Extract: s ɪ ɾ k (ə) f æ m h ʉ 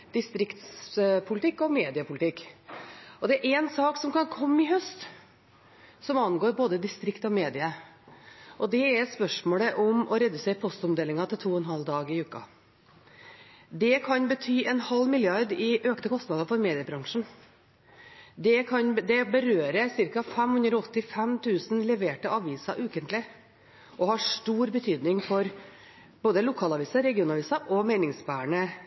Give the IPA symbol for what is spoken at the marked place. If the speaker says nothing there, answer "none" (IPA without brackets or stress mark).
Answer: ɑ